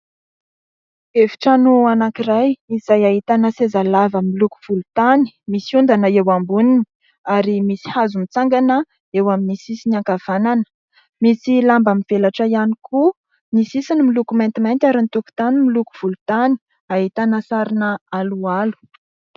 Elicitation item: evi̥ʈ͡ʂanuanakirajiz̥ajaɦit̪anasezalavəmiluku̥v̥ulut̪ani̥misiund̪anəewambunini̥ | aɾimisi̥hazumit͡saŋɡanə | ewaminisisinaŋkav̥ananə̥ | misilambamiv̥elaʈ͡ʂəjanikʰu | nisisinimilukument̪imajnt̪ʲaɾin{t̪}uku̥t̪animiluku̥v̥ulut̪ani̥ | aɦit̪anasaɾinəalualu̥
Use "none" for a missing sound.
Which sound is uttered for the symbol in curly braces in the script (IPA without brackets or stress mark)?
t̪